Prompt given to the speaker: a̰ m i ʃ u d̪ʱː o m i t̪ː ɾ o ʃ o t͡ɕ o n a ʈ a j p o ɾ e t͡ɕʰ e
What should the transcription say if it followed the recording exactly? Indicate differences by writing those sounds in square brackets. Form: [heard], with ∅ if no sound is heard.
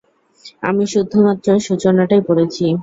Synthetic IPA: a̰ m i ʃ u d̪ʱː o m [a] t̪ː ɾ o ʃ [u] t͡ɕ o n a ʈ a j p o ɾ e t͡ɕʰ [i]

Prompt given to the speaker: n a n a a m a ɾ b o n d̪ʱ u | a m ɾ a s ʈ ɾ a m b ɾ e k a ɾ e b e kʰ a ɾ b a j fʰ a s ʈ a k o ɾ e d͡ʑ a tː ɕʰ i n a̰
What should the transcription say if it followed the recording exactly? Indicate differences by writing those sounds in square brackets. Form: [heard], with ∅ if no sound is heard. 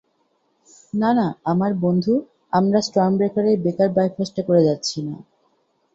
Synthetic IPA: n a n a a m a ɾ b o n d̪ʱ u | a m ɾ a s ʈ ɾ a m b ɾ e k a ɾ e b e [k] a ɾ b a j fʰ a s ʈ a k o ɾ e d͡ʑ a tː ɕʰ i n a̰

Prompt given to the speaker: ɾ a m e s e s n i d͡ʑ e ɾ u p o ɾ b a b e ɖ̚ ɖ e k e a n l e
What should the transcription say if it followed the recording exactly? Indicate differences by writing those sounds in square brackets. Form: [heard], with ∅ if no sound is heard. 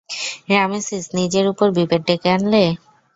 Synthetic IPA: ɾ a m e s [i] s n i d͡ʑ e ɾ u p o ɾ b [i] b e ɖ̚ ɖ e k e a n l e

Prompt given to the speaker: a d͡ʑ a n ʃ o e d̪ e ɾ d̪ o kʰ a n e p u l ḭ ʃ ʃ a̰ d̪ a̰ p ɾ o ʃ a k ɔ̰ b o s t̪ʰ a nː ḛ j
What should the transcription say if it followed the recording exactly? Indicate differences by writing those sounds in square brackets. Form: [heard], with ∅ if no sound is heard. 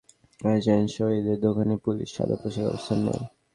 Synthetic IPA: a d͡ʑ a n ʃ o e d̪ e ɾ d̪ o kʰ a n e p u l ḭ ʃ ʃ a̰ d̪ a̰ p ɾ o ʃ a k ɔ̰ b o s t̪ʰ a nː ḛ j

